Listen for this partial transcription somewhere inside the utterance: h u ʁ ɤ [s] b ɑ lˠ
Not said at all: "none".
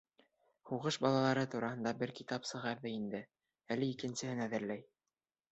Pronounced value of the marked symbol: ʃ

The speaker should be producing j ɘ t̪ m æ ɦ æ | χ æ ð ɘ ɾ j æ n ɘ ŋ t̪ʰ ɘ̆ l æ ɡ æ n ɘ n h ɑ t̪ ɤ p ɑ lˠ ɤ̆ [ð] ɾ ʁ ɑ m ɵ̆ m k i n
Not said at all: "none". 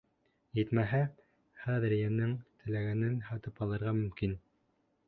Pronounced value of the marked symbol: none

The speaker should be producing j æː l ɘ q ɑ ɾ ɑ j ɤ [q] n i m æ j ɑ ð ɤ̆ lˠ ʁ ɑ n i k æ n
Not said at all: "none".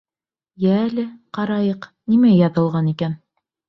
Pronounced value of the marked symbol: q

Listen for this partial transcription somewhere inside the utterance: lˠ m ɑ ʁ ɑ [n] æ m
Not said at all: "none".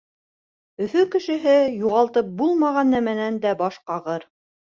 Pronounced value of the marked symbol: nː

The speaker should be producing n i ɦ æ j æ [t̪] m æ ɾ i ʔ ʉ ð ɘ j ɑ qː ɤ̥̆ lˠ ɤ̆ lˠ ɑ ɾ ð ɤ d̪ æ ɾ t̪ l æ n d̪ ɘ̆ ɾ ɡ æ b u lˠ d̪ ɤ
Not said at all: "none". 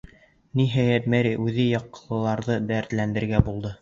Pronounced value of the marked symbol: t̪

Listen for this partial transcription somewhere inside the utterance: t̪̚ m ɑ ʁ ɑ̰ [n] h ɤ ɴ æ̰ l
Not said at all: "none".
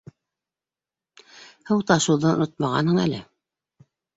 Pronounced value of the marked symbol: n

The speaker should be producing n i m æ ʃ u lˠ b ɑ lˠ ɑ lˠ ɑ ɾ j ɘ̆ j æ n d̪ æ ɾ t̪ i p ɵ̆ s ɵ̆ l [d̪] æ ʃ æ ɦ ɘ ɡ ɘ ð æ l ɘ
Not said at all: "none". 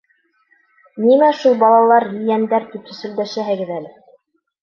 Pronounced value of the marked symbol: d̪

